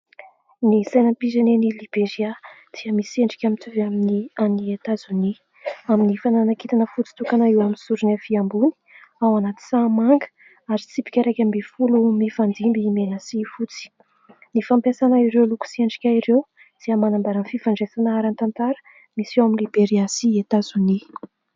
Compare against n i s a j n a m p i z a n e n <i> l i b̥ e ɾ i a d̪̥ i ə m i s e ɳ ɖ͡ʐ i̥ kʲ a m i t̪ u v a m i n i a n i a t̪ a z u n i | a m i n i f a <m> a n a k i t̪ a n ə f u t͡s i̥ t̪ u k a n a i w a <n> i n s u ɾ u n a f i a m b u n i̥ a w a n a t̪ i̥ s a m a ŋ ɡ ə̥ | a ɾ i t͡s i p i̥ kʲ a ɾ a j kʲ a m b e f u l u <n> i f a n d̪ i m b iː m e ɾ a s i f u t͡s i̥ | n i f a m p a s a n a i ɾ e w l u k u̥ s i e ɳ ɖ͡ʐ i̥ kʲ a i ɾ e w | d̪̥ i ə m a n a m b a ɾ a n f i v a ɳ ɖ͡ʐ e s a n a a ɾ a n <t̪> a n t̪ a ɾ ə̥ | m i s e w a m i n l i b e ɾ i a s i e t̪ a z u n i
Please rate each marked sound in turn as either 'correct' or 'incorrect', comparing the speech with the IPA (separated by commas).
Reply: correct, incorrect, incorrect, incorrect, correct